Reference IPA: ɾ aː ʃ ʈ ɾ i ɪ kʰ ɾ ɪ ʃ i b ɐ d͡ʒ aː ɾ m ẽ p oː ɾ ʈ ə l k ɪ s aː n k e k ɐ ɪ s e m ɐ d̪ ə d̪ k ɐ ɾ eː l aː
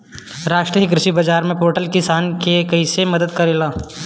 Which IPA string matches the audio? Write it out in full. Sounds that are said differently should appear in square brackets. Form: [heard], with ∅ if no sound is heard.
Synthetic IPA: ɾ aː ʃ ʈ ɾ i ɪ [k] ɾ ɪ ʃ i b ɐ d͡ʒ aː ɾ m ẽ p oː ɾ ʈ ə l k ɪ s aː n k e k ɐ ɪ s e m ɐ d̪ ə d̪ k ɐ ɾ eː l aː